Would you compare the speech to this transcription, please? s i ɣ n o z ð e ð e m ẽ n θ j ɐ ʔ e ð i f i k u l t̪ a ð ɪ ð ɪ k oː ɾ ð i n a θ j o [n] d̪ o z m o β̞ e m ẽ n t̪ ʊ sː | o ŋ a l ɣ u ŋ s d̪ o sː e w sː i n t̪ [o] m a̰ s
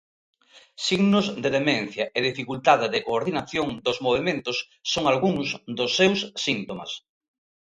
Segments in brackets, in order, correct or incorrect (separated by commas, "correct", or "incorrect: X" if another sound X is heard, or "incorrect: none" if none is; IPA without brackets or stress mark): incorrect: ŋ, correct